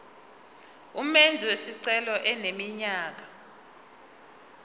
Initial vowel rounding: rounded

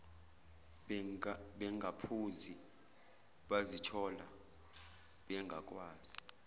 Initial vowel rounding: unrounded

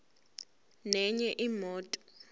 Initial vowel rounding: unrounded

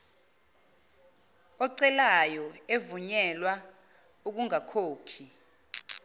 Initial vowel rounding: rounded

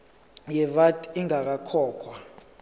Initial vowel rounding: unrounded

